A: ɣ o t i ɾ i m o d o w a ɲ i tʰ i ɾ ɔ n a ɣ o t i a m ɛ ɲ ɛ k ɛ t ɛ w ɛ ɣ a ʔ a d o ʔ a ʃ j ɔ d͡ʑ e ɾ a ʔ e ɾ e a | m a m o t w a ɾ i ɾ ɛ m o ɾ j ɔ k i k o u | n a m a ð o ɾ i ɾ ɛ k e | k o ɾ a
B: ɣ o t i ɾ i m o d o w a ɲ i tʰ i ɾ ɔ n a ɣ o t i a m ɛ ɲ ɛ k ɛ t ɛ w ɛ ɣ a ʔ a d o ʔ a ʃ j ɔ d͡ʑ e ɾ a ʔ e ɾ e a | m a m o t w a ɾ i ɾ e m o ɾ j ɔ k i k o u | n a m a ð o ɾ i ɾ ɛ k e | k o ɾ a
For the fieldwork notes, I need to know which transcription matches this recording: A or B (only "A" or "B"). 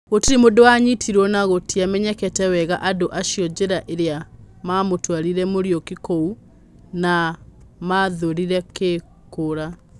A